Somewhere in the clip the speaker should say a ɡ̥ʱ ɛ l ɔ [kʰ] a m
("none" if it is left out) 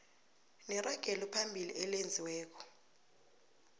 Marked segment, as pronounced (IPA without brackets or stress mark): pʰ